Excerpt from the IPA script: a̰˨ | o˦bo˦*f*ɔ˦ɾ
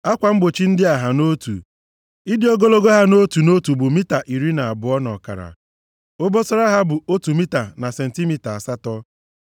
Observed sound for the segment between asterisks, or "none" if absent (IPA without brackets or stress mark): s